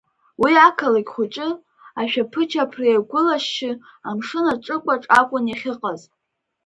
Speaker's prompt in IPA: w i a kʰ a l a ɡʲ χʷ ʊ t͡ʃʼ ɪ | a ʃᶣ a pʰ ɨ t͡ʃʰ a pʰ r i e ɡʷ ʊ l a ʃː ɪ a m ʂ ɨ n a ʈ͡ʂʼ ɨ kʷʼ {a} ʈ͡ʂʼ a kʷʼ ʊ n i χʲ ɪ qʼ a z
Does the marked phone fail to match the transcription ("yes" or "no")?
no